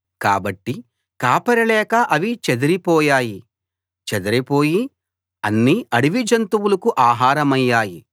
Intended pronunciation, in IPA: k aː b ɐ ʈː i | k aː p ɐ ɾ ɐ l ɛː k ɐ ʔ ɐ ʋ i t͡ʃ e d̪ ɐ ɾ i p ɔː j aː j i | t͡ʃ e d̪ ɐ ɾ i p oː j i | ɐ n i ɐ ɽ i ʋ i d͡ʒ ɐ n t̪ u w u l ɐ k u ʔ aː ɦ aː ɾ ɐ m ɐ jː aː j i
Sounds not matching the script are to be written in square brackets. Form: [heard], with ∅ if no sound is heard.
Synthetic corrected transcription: k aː b ɐ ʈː i | k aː p ɐ ɾ ɐ l ɛː k ɐ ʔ ɐ ʋ i t͡ʃ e d̪ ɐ ɾ i p ɔː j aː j i | t͡ʃ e d̪ ɐ ɾ i p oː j i | ɐ [nː] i ɐ ɽ i ʋ i d͡ʒ ɐ n t̪ u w u l ɐ k u ʔ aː ɦ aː ɾ ɐ m ɐ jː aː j i